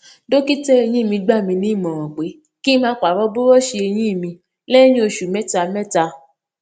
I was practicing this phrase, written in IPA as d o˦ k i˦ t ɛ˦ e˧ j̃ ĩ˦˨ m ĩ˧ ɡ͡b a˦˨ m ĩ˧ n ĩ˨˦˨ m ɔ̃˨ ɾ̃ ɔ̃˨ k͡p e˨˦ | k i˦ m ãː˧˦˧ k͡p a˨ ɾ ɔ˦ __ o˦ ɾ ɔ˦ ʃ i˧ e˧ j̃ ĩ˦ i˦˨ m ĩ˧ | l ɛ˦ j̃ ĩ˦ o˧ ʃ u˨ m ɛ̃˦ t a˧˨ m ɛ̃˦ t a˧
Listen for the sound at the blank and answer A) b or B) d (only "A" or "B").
A